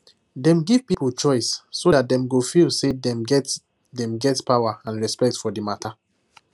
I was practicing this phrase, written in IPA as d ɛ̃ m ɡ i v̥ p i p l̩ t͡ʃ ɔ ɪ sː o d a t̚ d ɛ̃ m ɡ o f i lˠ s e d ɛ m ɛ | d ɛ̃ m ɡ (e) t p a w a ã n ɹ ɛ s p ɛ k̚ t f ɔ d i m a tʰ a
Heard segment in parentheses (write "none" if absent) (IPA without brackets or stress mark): ɛ